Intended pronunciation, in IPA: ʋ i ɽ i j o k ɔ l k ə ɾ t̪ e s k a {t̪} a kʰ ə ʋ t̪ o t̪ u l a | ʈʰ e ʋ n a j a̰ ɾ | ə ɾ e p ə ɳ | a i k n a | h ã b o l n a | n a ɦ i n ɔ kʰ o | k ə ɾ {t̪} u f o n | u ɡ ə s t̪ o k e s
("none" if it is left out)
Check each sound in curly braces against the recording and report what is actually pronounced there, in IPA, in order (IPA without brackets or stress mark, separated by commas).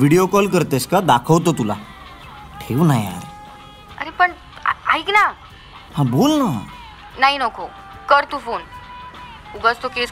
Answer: d̪, t̪